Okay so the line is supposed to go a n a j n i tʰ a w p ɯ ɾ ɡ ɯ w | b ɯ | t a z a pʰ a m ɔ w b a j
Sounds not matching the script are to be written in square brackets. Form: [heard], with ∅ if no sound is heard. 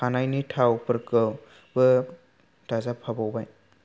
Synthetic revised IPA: a n a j n i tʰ a w p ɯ ɾ [k] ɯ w | b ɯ | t a z a pʰ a [b] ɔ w b a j

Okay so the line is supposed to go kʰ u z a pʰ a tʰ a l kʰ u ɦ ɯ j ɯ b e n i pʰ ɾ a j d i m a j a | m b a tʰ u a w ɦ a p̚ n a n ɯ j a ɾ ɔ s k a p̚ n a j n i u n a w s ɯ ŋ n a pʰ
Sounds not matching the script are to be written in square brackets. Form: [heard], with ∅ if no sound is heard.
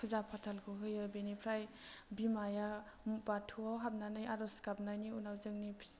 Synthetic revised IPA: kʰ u z a pʰ a tʰ a l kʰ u ɦ ɯ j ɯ b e n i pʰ ɾ a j [b] i m a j a | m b a tʰ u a w ɦ a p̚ n a n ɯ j a ɾ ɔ s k a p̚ n a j n i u n a w [z] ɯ ŋ n [i] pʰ

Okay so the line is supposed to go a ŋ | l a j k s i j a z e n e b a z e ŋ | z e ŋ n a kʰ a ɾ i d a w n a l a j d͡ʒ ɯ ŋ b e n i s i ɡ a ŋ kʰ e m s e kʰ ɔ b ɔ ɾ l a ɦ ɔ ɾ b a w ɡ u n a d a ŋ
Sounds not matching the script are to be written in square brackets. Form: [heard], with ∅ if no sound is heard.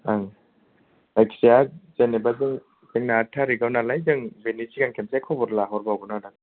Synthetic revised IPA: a ŋ | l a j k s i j a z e n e b a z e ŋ | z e ŋ n a [tʰ] a ɾ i [ɡ] a w n a l a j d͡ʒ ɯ ŋ b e n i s i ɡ a ŋ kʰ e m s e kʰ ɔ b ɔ ɾ l a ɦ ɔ ɾ b a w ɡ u n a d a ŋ

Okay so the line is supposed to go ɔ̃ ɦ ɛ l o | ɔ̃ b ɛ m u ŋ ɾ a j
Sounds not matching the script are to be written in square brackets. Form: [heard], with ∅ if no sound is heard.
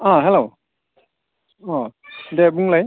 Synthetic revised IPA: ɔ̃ ɦ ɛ l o | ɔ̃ [d] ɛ [b] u ŋ [l] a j

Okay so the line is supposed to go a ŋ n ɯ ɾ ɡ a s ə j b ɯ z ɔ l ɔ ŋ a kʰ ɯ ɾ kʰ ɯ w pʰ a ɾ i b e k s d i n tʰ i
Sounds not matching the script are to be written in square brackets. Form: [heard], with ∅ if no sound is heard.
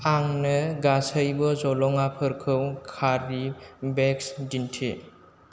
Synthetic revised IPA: a ŋ n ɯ [∅] ɡ a s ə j b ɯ z ɔ l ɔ ŋ a [pʰ] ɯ ɾ kʰ ɯ w [kʰ] a ɾ i b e k s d i n tʰ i

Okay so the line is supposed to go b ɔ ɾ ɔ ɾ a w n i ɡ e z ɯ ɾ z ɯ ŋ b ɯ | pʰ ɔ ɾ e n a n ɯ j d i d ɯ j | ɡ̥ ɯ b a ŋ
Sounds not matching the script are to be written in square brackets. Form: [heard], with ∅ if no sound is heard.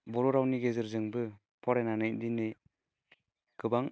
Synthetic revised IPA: b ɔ ɾ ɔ ɾ a w n i ɡ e z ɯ ɾ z ɯ ŋ b ɯ | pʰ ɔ ɾ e n a n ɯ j d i [n] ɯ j | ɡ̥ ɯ b a ŋ

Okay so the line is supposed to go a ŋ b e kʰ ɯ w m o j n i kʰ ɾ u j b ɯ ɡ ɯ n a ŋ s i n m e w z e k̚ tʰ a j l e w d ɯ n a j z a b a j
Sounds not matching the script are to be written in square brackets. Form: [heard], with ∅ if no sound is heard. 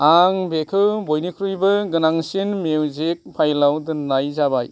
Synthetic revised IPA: a ŋ b e kʰ ɯ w [b] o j n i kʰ ɾ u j b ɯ ɡ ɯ n a ŋ s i n m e w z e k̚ [pʰ] a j l [a] w d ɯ n a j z a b a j

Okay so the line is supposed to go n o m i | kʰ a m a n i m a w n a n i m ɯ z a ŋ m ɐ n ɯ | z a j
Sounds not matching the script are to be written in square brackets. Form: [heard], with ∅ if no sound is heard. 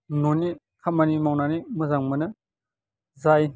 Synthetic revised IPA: n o [n] i | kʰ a m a n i m a w n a n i m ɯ z a ŋ m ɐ n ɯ | z a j

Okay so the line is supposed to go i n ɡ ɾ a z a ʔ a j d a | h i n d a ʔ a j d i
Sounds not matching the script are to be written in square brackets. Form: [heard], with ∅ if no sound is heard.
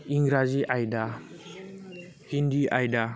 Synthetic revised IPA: i [ŋ] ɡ ɾ a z [i] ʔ a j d a | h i n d [i] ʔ a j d [a]

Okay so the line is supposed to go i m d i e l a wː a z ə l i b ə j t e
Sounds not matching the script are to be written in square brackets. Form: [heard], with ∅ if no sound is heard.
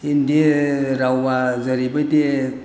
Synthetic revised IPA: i [n] d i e [ɾ] a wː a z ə [ɾ] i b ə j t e

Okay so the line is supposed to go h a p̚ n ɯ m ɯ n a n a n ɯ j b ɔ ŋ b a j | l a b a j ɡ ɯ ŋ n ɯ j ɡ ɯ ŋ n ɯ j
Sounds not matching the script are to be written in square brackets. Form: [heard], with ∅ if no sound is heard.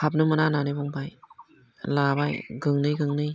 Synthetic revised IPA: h a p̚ n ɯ m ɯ n a n a n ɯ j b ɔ ŋ b a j | l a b a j ɡ ɯ ŋ n ɯ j ɡ ɯ ŋ n ɯ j

